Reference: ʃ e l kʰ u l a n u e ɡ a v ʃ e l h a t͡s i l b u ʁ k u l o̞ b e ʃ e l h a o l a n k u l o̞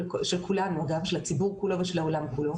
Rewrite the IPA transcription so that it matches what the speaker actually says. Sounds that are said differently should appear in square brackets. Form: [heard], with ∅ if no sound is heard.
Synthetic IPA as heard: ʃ e l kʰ u l a n u [a] ɡ a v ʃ e l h a t͡s i [∅] b u ʁ k u l o̞ [v] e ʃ e l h a o l a [m] k u l o̞